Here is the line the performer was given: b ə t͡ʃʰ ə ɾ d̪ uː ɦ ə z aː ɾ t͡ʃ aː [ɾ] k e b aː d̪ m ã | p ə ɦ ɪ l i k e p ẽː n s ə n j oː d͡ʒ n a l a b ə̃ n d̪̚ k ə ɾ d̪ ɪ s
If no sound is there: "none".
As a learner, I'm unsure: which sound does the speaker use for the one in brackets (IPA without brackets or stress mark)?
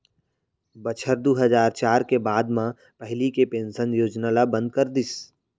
ɾ